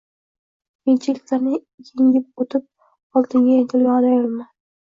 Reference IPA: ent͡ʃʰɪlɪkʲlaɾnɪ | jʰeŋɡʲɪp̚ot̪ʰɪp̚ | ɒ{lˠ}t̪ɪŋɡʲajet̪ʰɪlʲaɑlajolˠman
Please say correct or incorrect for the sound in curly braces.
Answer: correct